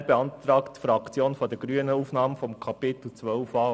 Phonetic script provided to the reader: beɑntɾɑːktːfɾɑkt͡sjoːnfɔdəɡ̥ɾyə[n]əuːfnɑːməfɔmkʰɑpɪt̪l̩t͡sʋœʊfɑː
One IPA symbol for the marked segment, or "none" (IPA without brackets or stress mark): n